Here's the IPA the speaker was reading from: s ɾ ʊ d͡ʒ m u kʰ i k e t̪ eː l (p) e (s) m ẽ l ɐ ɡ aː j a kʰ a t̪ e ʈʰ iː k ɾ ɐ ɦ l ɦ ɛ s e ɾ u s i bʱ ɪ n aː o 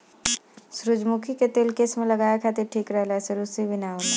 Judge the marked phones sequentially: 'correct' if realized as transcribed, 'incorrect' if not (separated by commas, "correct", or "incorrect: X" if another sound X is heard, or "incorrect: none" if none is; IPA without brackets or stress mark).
incorrect: k, correct